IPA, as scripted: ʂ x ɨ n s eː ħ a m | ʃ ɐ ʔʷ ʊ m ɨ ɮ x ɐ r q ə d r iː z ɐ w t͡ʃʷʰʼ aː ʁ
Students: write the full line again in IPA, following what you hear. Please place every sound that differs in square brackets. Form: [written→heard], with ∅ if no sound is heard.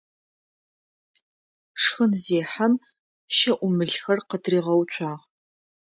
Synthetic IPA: ʂ x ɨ n [s→z] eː ħ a m | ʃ ɐ ʔʷ ʊ m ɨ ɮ x ɐ r q ə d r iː [z→ʁ] ɐ w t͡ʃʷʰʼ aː ʁ